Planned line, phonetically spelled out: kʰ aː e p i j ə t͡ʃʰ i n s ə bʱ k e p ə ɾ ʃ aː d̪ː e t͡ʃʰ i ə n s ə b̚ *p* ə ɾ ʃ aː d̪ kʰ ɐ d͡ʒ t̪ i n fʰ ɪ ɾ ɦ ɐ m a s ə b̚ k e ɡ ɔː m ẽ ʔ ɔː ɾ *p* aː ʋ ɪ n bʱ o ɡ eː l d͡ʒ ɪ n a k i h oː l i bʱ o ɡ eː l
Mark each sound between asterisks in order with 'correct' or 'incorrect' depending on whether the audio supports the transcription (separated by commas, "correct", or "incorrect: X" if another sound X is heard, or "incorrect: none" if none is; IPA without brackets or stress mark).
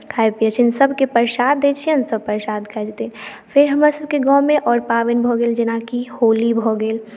correct, correct